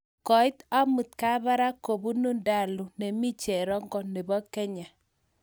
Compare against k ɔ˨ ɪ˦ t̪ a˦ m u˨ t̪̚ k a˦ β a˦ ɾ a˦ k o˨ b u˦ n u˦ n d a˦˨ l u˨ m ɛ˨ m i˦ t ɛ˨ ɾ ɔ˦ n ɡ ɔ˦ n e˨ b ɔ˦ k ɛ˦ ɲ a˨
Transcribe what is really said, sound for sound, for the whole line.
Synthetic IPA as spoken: k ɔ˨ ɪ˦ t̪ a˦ m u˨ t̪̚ k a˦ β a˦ ɾ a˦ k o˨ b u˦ n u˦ n d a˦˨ l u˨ n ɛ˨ m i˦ t͡ʃ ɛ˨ ɾ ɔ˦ ŋ ɡ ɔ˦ n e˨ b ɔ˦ k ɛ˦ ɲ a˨

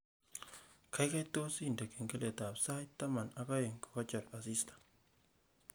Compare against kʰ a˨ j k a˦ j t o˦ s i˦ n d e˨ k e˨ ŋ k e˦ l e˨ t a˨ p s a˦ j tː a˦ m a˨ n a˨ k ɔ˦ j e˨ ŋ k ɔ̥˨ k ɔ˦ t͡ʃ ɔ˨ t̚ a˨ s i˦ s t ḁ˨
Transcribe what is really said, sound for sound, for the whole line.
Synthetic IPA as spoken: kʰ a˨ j k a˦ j t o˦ s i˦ n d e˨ k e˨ ŋ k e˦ l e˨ t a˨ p s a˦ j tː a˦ m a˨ n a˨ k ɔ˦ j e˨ ŋ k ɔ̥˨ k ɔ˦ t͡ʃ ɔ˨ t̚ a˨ s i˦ s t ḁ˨

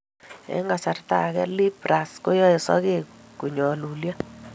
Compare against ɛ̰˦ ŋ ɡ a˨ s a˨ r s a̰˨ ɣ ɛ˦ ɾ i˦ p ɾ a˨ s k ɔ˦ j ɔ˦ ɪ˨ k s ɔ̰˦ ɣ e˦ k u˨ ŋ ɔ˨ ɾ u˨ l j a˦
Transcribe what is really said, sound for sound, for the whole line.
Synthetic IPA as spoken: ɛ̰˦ ŋ ɡ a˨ s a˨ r t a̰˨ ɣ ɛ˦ l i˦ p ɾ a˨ s k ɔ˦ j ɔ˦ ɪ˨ s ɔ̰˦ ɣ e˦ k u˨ ɲ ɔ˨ l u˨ l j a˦

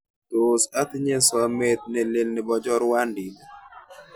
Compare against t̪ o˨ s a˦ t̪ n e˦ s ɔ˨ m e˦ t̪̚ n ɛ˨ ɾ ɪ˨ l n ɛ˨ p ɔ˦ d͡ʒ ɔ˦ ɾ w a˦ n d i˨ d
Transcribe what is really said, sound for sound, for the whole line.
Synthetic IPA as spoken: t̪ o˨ s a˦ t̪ ɲ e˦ s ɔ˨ m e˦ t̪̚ n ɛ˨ l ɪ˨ l n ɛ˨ b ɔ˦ d͡ʒ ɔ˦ ɾ w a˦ n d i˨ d

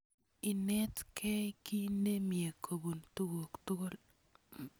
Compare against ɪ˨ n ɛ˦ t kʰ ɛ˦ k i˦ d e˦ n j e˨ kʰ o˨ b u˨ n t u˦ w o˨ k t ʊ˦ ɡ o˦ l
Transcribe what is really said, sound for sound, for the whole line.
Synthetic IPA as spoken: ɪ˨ n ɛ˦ t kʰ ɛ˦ k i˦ n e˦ m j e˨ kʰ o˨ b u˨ n t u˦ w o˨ k t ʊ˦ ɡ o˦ l

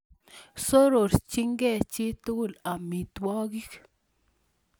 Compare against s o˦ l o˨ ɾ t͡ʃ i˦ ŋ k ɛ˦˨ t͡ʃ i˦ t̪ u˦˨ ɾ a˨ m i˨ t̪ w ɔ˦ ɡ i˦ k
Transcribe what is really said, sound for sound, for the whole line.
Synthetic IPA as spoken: s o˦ ɾ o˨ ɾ t͡ʃ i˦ ŋ ɡ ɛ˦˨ t͡ʃ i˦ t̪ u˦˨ l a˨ m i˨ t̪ w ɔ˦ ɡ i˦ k

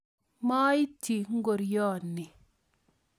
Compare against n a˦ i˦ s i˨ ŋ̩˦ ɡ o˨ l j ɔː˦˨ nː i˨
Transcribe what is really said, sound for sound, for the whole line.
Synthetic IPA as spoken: m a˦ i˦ t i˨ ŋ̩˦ ɡ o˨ ɾ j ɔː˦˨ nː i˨

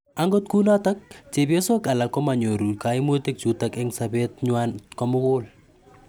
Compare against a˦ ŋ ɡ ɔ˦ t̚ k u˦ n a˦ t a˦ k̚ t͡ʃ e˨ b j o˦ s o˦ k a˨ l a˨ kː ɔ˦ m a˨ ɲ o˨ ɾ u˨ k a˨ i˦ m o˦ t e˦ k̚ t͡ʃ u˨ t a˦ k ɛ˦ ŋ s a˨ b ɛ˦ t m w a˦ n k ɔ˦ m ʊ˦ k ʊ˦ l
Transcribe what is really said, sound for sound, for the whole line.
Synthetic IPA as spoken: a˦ ŋ ɡ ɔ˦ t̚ k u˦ n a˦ t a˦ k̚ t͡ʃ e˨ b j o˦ s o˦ k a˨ l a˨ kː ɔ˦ m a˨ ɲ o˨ ɾ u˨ k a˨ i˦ m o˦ t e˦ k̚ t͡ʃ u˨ t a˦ k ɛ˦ ŋ s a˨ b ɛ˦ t ɲ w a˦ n k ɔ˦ m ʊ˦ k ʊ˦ l

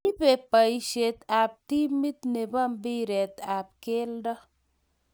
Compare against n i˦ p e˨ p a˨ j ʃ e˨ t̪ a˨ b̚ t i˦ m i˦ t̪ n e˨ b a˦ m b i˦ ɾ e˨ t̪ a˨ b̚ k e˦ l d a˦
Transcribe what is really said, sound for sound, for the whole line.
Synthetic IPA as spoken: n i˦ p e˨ p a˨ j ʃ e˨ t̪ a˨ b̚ t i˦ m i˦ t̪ n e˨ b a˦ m b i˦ ɾ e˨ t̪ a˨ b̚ k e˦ l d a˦

